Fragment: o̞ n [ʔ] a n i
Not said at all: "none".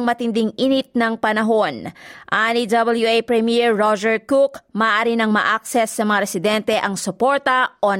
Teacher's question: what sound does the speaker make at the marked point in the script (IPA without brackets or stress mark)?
ʔ